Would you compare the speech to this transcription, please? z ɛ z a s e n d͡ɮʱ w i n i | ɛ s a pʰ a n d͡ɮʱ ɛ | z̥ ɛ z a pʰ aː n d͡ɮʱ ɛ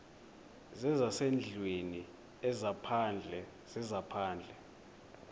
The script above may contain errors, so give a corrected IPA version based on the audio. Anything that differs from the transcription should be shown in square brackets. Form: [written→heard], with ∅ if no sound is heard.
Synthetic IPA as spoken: z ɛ z a s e n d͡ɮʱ w [i→e] n i | ɛ [s→z] a pʰ a n d͡ɮʱ ɛ | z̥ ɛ z a pʰ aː n d͡ɮʱ ɛ